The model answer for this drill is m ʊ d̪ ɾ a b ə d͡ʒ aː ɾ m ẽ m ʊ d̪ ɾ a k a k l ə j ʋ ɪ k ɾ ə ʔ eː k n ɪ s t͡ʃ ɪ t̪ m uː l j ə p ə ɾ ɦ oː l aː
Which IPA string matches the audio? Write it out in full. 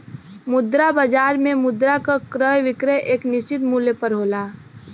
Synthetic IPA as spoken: m ʊ d̪ ɾ a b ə d͡ʒ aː ɾ m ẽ m ʊ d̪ ɾ a k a k ɾ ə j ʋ ɪ k ɾ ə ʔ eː k n ɪ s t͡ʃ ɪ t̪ m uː l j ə p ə ɾ ɦ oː l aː